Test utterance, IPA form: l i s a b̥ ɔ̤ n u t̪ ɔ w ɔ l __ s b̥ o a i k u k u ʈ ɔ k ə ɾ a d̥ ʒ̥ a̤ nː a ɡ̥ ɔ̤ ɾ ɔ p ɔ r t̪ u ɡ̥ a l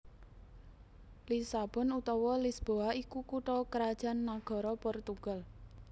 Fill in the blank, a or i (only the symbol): i